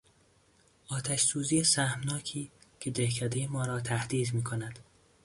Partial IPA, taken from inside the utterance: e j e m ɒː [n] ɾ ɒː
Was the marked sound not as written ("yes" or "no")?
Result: yes